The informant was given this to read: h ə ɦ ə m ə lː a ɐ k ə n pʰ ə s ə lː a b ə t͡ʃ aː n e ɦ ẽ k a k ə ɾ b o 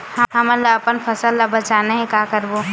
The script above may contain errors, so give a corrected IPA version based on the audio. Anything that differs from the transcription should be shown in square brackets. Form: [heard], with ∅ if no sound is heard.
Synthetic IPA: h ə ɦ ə m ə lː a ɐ [p] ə n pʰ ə s ə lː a b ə t͡ʃ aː n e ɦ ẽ k a k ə ɾ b o